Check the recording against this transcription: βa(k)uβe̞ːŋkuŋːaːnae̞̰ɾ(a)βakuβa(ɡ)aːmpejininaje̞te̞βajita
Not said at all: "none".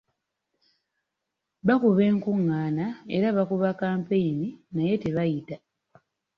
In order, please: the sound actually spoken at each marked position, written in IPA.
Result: k, a, k

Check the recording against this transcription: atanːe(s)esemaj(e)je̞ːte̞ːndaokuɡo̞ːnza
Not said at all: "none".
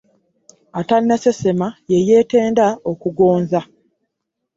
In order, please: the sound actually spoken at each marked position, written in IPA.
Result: s, e

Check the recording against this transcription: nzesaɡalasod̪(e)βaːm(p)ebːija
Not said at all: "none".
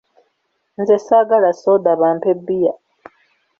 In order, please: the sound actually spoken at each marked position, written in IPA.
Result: a, p

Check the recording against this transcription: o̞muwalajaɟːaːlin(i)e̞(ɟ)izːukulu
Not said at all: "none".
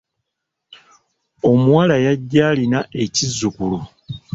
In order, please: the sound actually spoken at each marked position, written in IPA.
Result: a, c

